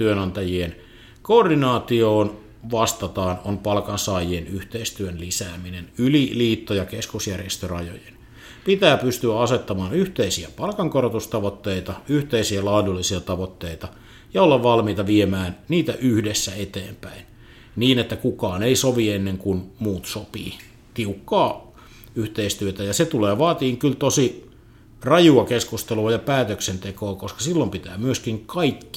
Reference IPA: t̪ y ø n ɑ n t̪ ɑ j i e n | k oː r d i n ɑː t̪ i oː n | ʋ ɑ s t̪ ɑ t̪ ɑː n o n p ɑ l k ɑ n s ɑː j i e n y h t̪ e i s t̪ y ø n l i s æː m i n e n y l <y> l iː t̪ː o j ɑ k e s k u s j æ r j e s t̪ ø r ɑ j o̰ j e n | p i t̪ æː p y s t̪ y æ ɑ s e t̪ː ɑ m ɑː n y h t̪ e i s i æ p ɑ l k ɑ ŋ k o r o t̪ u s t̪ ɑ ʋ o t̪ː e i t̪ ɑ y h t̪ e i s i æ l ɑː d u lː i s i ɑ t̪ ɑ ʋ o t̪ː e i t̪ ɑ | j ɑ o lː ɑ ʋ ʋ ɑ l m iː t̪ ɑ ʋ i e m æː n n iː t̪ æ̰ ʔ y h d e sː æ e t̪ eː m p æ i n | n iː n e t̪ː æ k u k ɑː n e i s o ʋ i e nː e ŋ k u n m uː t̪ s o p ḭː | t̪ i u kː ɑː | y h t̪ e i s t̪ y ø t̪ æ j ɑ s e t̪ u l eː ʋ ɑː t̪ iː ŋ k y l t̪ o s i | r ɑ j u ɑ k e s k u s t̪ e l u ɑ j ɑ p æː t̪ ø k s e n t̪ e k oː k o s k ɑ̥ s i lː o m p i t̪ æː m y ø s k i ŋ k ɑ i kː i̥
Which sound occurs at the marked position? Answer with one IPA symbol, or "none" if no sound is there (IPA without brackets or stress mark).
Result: i